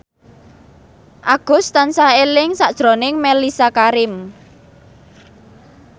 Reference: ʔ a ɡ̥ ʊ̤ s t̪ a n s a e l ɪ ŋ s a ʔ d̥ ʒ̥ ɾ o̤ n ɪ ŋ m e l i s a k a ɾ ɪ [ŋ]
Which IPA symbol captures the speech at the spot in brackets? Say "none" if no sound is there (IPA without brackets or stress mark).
m